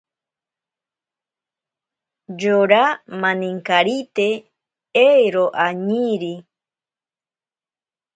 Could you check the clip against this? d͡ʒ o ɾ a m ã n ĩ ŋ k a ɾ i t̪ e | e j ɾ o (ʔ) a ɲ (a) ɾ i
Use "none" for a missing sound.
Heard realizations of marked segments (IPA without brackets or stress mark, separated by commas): ʔ, i